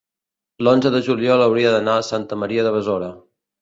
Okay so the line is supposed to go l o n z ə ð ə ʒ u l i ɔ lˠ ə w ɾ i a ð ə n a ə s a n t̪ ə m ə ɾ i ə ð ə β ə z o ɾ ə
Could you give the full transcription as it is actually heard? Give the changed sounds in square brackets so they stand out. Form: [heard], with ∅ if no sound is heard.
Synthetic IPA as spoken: l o n z ə ð ə ʒ u l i ɔ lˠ ə w ɾ i [ə] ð ə n a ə s a n t̪ ə m ə ɾ i ə ð ə β ə z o ɾ ə